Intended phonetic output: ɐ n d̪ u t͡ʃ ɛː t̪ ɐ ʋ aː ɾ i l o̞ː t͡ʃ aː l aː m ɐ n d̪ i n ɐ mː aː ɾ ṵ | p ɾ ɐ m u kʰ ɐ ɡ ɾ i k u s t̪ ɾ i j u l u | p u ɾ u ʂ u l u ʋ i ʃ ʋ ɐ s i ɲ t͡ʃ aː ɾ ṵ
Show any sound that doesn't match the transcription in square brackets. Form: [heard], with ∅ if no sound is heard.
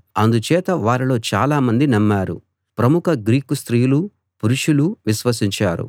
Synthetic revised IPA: ɐ n d̪ u t͡ʃ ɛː t̪ ɐ ʋ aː ɾ i l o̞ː t͡ʃ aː l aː m ɐ n d̪ i n ɐ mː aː ɾ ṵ | p ɾ ɐ m u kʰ ɐ ɡ ɾ [iː] k u s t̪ ɾ i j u l u | p u ɾ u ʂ u l u ʋ i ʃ ʋ ɐ s i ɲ t͡ʃ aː ɾ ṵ